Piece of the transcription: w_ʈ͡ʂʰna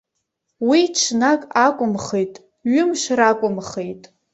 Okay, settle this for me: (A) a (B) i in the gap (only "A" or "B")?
B